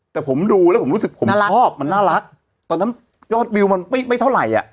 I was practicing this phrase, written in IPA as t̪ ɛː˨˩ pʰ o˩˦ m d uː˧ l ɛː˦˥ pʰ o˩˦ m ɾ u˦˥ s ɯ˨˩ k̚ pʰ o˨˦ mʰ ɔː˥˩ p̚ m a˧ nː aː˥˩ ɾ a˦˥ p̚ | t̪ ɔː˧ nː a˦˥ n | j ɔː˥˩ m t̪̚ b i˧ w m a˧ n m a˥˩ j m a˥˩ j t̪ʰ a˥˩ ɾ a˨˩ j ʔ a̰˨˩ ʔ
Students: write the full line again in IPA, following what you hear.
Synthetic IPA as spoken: t̪ ɛː˨˩ pʰ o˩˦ m d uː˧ l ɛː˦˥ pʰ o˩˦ m ɾ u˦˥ s ɯ˨˩ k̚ pʰ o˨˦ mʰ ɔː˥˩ p̚ m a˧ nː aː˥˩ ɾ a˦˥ k̚ | t̪ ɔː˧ nː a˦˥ n | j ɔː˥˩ t̪̚ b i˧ w m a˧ n m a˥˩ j m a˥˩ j t̪ʰ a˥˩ ɾ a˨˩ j ʔ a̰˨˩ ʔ